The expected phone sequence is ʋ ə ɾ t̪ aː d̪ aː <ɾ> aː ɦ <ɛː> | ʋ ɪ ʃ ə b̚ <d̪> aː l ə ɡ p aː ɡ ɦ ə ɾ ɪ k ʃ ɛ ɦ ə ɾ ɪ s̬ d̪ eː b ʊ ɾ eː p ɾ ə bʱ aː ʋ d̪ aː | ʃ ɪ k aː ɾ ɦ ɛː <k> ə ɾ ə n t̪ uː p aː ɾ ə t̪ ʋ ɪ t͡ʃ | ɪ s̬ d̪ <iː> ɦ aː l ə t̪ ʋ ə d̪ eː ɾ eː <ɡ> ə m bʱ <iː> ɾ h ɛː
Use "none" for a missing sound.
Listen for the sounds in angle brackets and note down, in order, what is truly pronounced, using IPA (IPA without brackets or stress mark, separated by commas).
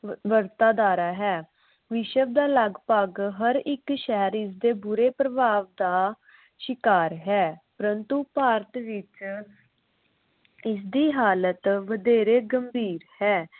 ɾ, ɛː, d̪, p, iː, ɡ, iː